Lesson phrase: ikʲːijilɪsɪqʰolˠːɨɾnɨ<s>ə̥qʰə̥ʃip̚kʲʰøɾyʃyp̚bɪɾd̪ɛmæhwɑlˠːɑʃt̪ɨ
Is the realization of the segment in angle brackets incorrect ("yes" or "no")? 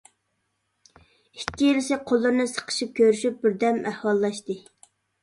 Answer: no